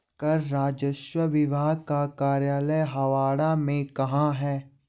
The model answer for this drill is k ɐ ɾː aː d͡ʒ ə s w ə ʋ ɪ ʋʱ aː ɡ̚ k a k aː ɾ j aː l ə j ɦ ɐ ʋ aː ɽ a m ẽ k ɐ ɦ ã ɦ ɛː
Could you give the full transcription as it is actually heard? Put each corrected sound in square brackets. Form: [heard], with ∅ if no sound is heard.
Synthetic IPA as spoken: k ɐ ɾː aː d͡ʒ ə [ʃ] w ə ʋ ɪ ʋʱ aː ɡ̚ k a k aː ɾ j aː l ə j ɦ ɐ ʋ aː ɽ a m ẽ k ɐ ɦ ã ɦ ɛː